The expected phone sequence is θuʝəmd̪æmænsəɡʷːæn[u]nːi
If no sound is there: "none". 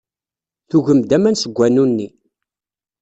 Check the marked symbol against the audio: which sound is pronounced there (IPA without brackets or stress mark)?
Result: u